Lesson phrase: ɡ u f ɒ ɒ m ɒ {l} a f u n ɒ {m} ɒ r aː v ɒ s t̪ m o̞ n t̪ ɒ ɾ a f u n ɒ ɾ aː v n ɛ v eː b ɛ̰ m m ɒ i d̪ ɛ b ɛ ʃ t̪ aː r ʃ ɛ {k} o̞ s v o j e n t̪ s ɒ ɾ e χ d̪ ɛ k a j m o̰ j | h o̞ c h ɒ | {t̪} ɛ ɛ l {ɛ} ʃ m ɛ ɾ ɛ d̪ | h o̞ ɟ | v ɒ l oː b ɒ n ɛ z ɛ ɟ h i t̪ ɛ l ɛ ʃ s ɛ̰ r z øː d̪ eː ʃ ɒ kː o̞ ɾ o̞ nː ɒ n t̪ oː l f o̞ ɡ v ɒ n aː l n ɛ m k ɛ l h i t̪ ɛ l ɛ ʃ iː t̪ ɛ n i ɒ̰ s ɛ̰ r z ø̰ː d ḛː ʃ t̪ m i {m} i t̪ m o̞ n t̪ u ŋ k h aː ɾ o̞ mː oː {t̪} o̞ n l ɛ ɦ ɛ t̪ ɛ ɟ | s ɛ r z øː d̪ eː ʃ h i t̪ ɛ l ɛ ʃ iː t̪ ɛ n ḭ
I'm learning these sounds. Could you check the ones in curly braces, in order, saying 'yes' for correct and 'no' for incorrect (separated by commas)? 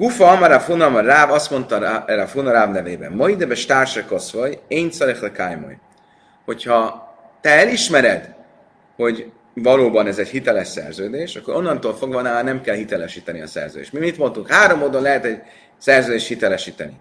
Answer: no, yes, yes, yes, no, yes, no